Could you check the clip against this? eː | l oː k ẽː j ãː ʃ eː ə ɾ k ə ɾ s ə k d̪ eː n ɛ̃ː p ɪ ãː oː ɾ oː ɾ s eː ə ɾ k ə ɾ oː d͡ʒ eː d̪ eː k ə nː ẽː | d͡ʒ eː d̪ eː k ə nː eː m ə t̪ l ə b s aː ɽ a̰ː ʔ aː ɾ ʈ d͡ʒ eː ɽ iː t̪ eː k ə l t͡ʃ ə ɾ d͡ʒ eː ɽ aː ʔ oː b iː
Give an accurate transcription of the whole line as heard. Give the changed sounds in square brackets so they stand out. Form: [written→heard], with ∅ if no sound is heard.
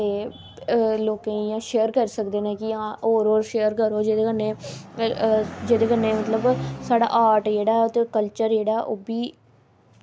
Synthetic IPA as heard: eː | l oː k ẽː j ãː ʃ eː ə ɾ k ə ɾ s ə k d̪ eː n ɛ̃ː [p→k] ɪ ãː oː ɾ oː ɾ [s→ʃ] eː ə ɾ k ə ɾ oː d͡ʒ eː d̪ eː k ə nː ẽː | d͡ʒ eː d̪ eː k ə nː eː m ə t̪ l ə b s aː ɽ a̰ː ʔ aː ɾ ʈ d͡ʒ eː ɽ [iː→aː] t̪ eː k ə l t͡ʃ ə ɾ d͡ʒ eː ɽ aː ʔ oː b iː